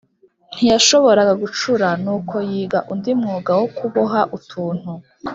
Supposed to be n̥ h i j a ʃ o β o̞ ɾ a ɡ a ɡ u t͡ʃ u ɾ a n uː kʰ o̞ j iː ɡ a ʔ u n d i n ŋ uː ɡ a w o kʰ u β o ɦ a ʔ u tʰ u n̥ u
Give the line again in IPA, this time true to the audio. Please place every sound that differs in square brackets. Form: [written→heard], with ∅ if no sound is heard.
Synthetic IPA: n̥ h i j a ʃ o β o̞ ɾ a ɡ a ɡ u t͡ʃ u ɾ a n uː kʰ o̞ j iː ɡ a ʔ u n d i [n→m] ŋ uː ɡ a w o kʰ u β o ɦ a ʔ u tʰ [u→uː] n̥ u